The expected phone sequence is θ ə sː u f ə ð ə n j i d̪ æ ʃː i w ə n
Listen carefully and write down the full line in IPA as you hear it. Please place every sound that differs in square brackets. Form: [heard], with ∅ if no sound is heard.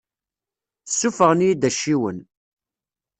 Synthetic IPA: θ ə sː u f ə [ʁ] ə n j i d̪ æ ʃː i w ə n

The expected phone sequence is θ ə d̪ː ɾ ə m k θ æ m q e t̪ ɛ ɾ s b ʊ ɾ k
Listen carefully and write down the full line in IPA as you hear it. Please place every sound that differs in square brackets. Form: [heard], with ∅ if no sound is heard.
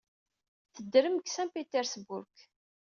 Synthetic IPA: θ ə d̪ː ɾ ə m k [s] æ m [p] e t̪ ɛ ɾ s b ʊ ɾ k

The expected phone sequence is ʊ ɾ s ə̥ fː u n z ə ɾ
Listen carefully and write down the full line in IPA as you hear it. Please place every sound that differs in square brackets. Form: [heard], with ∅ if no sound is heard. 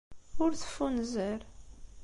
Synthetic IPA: ʊ ɾ [θ] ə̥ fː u n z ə ɾ

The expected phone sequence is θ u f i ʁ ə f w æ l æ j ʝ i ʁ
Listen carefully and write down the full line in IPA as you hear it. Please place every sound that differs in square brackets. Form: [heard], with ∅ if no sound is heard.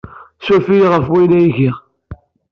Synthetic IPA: [s] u f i ʁ ə f w [i] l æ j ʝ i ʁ

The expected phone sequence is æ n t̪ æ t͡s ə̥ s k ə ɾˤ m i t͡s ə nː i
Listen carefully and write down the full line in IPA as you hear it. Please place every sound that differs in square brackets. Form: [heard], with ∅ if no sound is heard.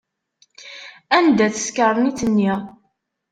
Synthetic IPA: æ n [d̪] æ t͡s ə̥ s k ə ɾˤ [n] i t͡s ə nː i

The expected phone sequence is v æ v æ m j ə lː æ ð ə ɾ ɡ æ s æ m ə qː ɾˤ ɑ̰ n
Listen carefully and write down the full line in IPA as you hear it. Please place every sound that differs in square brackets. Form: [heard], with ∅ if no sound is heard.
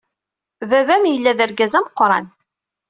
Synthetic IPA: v æ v æ m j ə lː æ ð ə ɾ ɡ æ [z] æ m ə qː ɾˤ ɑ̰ n

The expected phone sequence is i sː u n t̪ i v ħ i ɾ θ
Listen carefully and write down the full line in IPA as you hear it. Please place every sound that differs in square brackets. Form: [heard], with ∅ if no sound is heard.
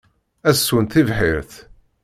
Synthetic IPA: [æ] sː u n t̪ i v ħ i ɾ θ

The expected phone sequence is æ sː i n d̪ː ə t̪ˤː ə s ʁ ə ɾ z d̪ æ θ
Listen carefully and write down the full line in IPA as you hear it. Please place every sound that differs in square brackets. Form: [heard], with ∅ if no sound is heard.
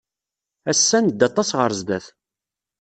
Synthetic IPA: æ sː [æ] n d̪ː [ɑ] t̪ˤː [ɑ] s ʁ ə ɾ z d̪ æ θ

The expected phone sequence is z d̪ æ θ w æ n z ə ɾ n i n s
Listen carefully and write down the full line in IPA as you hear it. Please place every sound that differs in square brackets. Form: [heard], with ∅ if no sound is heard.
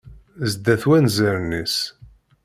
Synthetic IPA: z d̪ æ θ w æ n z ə ɾ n i [∅] s

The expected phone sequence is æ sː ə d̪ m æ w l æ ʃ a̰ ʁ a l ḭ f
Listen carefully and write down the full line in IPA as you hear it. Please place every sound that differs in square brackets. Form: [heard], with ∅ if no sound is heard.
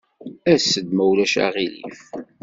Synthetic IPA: æ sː ə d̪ m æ w l æ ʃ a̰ ʁ [i] l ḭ f

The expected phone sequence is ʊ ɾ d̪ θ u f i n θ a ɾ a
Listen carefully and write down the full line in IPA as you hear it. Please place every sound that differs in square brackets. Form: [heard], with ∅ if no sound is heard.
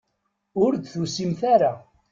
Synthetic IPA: ʊ ɾ d̪ θ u [s] i [m] θ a ɾ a

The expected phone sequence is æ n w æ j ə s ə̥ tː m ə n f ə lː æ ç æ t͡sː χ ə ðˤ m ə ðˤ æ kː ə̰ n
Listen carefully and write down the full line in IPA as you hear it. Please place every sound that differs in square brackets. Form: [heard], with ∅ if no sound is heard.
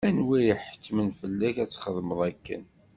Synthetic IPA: æ n w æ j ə [ħ] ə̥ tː m ə n f ə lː æ ç æ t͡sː χ ə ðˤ m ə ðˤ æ kː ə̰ n

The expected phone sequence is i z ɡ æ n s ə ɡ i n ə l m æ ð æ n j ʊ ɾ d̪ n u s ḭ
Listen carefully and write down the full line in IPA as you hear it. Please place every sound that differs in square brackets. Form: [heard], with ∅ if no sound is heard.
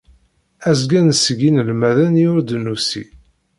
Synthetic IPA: [æ] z ɡ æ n s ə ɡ i n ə l m æ ð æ n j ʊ ɾ d̪ n u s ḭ

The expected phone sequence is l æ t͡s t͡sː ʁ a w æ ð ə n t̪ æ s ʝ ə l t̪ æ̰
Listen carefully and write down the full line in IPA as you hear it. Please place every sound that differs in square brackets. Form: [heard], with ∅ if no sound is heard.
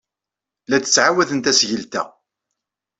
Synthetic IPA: l æ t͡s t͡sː [ʕ] a w æ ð ə n t̪ æ s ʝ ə l t̪ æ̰

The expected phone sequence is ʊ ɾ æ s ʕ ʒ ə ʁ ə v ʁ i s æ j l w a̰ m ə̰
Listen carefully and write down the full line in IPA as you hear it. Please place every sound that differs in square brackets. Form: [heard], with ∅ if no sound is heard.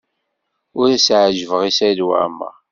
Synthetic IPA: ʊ ɾ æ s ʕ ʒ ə [v] ə [∅] ʁ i s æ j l w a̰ m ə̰

